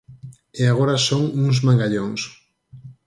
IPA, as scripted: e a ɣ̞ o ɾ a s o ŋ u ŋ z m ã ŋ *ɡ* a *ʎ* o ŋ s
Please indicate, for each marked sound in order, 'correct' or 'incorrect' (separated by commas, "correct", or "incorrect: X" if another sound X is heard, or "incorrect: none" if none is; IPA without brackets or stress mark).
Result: correct, correct